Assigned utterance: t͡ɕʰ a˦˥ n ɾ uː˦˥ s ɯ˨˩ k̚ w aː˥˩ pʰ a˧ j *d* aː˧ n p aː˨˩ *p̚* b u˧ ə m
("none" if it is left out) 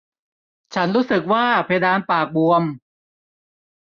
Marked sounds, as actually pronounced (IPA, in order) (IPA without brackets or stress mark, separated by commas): d, k̚